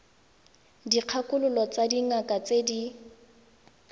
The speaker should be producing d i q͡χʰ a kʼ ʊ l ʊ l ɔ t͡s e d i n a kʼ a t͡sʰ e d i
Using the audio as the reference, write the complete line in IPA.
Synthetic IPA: d i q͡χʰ a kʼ ʊ l ʊ l ɔ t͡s a d i ŋ a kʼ a t͡s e d i